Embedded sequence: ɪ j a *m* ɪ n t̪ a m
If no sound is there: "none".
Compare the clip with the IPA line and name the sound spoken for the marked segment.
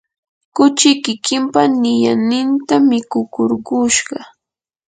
n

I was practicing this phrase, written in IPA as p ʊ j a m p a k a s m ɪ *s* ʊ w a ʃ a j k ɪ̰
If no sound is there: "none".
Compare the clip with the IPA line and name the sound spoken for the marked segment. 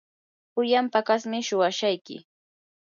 ʃ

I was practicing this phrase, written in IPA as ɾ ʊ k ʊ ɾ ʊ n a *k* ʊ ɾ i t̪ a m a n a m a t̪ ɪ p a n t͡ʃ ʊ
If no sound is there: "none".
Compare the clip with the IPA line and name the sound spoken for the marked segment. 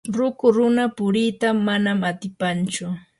p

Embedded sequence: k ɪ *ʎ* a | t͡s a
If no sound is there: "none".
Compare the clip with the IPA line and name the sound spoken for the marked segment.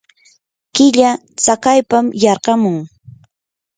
ʎ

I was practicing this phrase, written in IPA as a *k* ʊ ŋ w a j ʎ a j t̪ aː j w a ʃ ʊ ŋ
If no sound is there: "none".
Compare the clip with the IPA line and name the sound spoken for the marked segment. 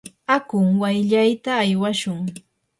k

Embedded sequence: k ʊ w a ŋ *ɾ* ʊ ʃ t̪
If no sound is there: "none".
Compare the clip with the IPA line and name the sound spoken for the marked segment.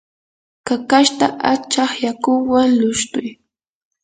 l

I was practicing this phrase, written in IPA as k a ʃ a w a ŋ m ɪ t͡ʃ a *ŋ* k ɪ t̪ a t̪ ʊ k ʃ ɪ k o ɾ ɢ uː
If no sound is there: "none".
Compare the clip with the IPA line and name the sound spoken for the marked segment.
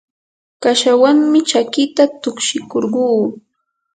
none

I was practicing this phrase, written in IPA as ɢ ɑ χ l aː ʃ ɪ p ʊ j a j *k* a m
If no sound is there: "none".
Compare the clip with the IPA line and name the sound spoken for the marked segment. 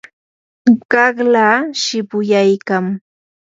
k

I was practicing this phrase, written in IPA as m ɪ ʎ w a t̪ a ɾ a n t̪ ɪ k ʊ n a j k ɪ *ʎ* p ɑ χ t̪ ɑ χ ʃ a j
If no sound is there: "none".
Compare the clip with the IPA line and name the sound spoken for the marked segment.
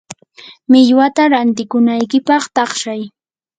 none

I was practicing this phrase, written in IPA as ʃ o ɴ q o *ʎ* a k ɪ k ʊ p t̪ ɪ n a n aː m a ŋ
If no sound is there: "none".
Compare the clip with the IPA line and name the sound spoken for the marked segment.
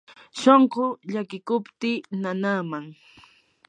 ʎ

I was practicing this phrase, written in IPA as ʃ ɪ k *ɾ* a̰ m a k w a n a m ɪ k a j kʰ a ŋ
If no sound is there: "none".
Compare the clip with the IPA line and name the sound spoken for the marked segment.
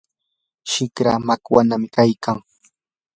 ɾ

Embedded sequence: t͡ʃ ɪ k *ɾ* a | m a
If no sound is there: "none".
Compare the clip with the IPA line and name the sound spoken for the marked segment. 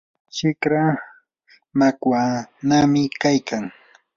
ɾ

